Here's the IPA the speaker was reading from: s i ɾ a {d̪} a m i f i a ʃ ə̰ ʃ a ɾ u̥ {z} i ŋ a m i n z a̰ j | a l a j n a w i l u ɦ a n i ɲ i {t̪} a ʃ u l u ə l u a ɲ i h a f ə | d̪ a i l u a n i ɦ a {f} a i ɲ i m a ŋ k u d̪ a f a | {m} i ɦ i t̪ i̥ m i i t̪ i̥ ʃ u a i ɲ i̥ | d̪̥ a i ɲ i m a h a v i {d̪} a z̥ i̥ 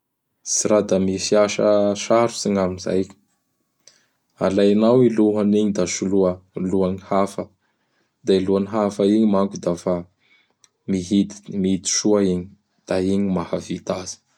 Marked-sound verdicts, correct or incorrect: correct, incorrect: s, incorrect: d̪, correct, correct, incorrect: t̪

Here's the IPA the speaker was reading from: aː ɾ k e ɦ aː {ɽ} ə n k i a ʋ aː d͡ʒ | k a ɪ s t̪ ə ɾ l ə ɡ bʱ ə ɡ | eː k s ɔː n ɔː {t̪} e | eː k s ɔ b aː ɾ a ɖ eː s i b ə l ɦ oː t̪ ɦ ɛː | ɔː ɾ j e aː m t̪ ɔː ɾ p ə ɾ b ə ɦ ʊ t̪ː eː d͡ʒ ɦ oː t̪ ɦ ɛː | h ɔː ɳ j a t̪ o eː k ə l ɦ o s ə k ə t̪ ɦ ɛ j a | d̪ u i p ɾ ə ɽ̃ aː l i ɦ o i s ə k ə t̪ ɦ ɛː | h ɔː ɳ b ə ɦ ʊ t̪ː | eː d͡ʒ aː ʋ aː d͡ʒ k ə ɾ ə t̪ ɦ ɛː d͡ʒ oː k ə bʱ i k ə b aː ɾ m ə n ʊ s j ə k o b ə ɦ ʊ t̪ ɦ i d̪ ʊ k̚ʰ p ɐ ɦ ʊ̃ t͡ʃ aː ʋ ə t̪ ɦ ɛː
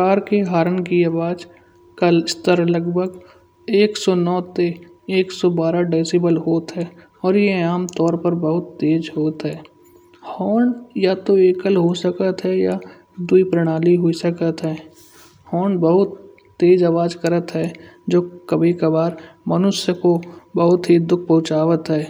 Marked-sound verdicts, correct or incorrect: incorrect: ɾ, correct

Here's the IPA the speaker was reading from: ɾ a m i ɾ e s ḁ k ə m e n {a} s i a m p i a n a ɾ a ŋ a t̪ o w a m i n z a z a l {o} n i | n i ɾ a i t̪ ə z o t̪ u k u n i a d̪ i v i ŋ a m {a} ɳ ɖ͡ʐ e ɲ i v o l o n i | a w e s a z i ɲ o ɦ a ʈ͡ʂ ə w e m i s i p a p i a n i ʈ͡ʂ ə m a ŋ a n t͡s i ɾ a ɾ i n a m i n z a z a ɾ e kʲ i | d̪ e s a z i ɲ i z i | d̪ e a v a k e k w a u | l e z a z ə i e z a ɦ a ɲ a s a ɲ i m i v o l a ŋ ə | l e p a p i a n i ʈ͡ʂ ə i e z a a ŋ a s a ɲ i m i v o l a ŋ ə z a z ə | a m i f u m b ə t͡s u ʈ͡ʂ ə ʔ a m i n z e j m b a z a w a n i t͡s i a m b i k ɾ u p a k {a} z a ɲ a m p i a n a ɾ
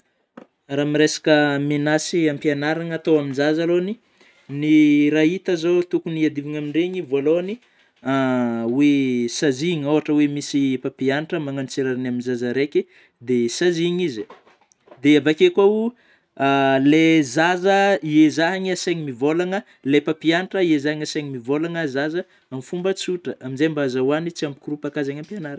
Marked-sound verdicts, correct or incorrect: correct, correct, incorrect: i, correct

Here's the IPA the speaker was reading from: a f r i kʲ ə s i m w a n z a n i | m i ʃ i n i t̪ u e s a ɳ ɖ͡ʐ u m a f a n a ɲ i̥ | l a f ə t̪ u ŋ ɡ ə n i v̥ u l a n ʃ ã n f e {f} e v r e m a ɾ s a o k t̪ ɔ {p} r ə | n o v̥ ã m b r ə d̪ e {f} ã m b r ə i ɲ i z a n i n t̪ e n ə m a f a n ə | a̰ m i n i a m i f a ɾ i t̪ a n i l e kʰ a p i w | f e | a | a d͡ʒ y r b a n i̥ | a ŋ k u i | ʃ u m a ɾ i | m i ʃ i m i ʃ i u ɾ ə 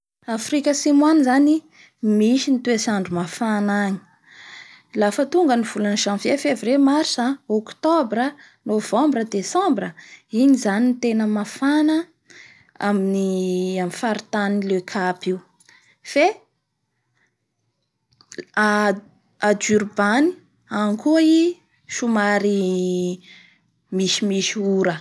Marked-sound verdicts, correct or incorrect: correct, incorrect: b, incorrect: s

